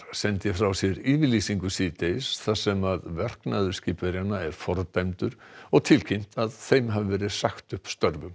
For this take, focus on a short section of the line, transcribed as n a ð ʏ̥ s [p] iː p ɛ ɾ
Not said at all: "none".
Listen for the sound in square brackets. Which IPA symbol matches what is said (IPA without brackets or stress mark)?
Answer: c